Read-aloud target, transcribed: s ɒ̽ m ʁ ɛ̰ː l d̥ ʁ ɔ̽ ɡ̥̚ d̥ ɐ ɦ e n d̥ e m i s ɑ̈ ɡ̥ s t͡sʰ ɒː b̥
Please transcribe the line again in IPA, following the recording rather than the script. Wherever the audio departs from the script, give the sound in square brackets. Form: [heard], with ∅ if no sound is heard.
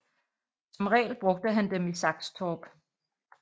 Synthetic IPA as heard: s ɒ̽ m ʁ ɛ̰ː l [b̥] ʁ ɔ̽ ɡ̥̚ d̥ [ə] ɦ [æ] n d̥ e m i s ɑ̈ ɡ̥ s t͡sʰ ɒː b̥